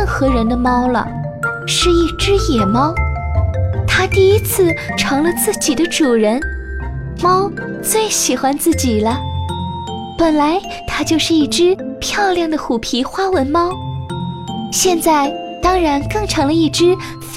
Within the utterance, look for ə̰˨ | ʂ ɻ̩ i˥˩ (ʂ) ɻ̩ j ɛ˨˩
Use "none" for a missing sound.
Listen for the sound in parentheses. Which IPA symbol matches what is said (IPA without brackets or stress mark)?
ʈ͡ʂ